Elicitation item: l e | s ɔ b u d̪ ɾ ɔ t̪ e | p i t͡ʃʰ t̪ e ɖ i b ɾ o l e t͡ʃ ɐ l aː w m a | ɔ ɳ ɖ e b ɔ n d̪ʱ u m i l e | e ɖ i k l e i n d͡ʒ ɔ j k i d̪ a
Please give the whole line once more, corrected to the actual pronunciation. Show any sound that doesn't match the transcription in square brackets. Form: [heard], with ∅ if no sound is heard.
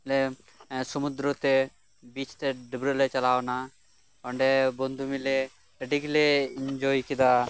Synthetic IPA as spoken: l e | s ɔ [m] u d̪ ɾ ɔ t̪ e | [b] i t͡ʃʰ t̪ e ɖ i b ɾ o l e t͡ʃ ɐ l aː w [n] a | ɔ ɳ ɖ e b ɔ n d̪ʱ u m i l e | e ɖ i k l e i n d͡ʒ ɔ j k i d̪ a